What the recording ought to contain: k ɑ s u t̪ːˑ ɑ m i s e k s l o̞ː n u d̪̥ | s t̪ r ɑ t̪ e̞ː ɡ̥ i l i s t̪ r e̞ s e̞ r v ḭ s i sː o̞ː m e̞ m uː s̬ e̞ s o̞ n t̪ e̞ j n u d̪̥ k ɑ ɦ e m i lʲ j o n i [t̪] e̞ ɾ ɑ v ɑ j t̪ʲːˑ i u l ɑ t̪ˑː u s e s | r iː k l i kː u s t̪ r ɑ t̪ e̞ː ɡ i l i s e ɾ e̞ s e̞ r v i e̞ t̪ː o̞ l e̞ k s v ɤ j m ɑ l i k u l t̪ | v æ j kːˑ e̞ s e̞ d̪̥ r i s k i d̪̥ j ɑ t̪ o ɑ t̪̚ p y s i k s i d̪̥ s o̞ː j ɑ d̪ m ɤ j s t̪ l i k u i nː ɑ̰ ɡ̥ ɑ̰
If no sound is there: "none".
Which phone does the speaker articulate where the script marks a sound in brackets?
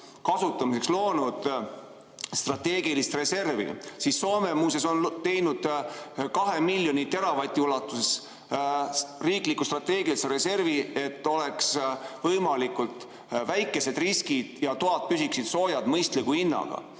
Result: t̪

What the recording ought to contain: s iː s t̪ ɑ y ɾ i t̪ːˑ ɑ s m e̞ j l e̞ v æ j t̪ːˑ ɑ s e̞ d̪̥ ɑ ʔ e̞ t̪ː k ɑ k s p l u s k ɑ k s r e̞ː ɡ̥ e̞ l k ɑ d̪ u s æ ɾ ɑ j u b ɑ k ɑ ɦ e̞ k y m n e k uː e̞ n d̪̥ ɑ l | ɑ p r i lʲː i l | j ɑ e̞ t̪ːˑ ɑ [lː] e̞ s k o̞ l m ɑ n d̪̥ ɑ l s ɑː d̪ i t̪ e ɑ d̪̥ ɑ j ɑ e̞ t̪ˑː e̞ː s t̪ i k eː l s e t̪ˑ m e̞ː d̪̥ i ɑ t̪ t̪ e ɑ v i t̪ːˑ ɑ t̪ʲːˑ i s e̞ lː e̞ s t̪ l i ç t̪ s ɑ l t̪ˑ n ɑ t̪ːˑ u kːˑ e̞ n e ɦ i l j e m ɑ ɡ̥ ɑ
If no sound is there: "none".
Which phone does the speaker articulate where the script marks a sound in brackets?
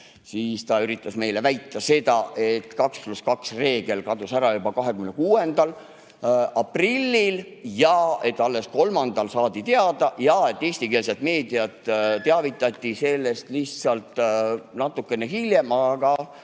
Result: lː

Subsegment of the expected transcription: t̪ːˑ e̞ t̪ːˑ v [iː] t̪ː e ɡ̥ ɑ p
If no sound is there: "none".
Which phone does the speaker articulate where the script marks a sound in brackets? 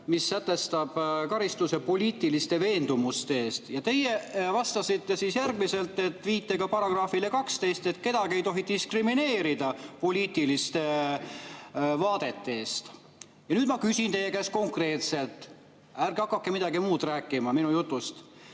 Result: iː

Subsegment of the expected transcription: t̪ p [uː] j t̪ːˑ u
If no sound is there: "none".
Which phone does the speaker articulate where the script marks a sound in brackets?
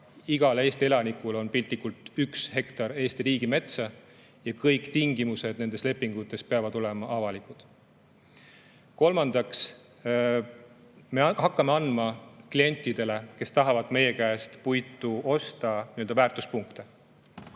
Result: u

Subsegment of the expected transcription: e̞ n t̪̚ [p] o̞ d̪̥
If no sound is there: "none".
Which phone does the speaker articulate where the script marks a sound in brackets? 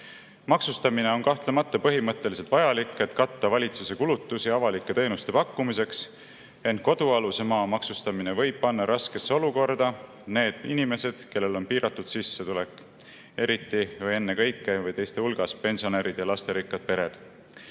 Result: k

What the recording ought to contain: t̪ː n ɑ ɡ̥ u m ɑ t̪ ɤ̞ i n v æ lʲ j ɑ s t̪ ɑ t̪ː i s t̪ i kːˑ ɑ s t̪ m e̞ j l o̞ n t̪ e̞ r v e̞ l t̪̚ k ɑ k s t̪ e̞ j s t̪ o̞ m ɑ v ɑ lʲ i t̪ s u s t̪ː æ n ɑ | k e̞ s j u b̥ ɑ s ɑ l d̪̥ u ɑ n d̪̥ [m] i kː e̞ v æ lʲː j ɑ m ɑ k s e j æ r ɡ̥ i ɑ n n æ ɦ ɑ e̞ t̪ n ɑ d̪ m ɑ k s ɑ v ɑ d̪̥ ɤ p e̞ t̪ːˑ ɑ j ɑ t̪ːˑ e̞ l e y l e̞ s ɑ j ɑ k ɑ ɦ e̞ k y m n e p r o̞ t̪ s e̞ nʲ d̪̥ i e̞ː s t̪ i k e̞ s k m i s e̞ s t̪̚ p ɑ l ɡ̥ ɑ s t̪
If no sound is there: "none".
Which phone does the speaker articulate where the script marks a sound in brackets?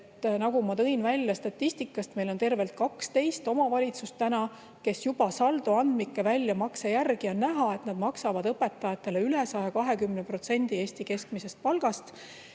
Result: m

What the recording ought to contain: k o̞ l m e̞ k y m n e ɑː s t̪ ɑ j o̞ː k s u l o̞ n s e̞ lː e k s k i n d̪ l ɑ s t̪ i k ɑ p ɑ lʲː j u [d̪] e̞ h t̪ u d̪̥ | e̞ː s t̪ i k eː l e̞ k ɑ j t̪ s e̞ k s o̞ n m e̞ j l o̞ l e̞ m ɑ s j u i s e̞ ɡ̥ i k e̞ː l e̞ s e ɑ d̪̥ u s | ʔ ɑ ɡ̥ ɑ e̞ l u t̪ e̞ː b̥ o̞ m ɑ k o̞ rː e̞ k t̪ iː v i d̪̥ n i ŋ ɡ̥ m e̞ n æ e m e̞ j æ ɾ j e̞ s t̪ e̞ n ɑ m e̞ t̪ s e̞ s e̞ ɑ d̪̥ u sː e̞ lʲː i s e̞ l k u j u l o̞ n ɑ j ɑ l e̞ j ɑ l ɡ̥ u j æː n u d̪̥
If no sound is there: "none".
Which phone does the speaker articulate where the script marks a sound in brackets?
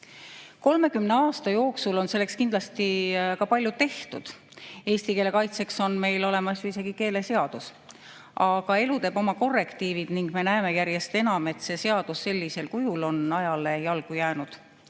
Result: t̪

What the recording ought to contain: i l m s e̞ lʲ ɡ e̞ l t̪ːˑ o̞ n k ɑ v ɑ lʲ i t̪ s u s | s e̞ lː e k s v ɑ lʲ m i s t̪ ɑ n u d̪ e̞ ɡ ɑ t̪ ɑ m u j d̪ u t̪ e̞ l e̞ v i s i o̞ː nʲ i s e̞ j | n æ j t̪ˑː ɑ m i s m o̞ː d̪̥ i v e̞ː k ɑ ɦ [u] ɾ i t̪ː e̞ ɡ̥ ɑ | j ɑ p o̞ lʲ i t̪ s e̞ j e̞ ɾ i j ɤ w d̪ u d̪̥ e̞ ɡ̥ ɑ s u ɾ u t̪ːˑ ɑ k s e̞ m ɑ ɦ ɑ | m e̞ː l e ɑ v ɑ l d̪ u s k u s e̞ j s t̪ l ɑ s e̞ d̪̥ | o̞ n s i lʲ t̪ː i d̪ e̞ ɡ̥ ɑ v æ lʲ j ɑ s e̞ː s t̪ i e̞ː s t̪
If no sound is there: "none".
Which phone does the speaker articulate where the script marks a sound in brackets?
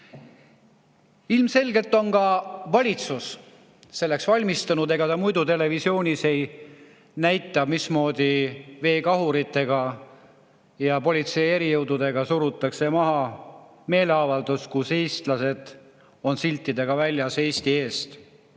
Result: u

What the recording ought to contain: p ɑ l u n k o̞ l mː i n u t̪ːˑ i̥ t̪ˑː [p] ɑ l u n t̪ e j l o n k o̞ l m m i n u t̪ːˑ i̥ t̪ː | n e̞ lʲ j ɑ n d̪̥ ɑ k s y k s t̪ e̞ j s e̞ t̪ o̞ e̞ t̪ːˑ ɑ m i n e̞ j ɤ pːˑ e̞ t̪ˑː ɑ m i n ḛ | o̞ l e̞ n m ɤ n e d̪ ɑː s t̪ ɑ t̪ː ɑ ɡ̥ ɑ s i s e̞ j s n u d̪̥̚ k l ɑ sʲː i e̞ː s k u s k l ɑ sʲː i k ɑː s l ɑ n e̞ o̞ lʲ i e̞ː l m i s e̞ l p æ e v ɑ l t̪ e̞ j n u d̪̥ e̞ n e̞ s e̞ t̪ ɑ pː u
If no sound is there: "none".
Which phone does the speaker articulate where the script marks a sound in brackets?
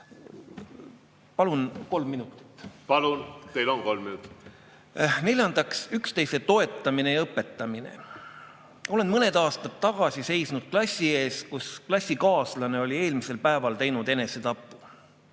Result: p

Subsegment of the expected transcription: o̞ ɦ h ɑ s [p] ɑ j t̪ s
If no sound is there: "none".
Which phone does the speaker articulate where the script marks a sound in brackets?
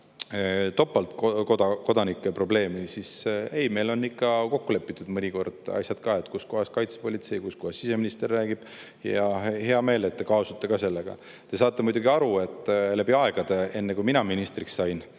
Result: k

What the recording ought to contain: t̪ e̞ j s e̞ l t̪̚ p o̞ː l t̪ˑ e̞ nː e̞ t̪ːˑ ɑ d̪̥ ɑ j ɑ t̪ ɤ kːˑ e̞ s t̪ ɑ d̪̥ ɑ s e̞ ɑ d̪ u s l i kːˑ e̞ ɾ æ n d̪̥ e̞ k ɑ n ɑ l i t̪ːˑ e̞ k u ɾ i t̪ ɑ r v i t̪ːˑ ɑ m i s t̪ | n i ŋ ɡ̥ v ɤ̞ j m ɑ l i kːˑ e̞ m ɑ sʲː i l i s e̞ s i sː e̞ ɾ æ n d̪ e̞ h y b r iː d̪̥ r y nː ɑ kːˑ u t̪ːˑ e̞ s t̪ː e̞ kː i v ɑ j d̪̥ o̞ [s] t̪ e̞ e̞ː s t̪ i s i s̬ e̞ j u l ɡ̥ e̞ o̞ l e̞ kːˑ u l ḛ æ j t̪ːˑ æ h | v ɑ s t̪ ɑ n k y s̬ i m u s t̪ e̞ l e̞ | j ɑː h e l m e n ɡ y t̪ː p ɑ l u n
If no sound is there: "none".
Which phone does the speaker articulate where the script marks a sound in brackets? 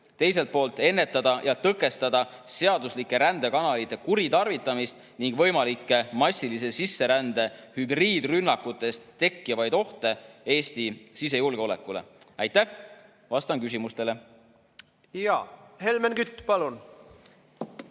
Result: h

